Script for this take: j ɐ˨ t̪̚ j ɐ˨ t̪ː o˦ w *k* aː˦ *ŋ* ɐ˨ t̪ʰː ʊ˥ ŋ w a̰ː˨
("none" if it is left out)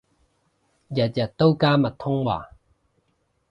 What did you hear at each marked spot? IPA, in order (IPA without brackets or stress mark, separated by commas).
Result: k, m